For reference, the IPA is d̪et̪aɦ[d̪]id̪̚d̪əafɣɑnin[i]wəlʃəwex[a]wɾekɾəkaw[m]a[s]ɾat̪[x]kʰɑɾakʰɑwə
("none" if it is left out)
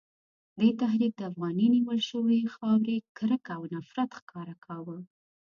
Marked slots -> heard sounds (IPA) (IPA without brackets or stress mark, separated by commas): d̪, i, ɑ, n, f, x